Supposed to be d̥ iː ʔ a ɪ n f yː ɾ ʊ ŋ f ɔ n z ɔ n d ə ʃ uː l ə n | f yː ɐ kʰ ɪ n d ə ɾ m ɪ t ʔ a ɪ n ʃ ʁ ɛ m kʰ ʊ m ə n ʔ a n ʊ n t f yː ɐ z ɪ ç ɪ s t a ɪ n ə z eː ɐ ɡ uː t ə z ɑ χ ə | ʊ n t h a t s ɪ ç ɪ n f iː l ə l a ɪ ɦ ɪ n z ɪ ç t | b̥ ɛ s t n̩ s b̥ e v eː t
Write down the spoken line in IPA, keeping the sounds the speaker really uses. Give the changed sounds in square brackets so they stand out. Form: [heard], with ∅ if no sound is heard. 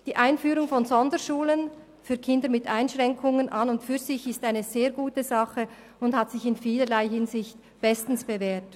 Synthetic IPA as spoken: d̥ iː ʔ a ɪ n f yː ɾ ʊ ŋ f ɔ n z ɔ n d ə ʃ uː l ə n | f yː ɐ kʰ ɪ n d ə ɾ m ɪ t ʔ a ɪ n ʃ ʁ ɛ [ŋ] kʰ ʊ [ŋ] ə n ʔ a n ʊ n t f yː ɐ z ɪ ç ɪ s t a ɪ n ə z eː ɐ ɡ uː t ə z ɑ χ ə | ʊ n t h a t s ɪ ç ɪ n f iː l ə l a ɪ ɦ ɪ n z ɪ ç t | b̥ ɛ s t n̩ s b̥ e v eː t